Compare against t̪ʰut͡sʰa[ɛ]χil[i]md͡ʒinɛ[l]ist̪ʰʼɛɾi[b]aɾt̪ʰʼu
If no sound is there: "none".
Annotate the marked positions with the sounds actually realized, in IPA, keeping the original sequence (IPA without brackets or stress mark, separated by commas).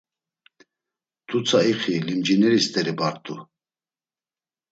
i, i, ɾ, b